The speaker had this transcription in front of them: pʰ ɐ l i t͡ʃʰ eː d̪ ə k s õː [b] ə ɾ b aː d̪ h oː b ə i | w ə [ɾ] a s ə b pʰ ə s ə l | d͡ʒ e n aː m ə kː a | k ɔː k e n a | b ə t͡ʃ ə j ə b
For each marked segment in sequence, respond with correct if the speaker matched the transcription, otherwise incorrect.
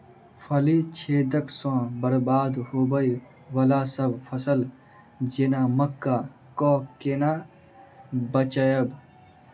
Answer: correct, incorrect: l

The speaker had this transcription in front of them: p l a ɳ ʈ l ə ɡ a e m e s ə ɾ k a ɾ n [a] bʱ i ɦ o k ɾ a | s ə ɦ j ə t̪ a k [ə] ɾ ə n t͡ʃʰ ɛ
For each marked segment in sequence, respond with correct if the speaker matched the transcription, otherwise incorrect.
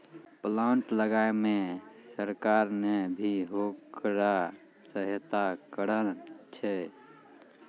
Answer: incorrect: e, correct

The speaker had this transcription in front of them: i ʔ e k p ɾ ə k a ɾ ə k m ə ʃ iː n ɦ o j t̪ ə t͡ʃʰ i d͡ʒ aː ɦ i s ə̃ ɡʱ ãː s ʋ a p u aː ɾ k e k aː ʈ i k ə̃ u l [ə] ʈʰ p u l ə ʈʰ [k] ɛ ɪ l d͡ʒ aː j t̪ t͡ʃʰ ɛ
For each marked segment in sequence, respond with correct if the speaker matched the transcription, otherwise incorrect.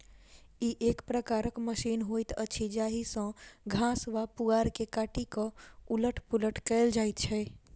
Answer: correct, correct

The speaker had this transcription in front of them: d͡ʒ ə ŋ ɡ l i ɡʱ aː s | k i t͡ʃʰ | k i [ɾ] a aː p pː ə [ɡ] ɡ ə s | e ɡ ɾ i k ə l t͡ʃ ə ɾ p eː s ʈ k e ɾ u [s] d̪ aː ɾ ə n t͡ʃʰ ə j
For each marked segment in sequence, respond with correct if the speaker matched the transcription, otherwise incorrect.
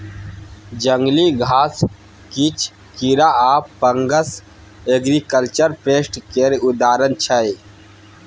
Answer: correct, incorrect: ŋ, incorrect: none

